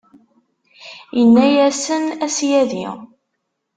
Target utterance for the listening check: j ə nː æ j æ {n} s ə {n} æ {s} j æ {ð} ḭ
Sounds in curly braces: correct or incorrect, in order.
incorrect: none, correct, correct, correct

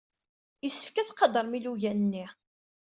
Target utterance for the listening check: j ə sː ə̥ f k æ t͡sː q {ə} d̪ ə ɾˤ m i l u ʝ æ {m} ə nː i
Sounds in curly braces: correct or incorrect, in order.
incorrect: ɑ, incorrect: n

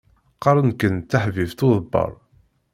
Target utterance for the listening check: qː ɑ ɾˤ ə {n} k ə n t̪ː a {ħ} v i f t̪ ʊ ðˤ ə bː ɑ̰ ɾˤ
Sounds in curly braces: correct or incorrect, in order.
correct, correct

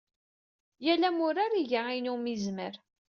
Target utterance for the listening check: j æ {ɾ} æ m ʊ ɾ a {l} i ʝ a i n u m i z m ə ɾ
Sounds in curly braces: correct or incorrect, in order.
incorrect: l, incorrect: ɾ

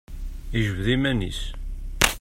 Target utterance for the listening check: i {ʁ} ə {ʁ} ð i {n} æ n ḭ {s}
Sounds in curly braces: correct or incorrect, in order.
incorrect: ʒ, incorrect: v, incorrect: m, correct

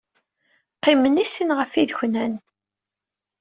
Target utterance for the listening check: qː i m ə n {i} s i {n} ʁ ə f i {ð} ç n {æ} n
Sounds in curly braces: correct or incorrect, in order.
correct, correct, correct, correct

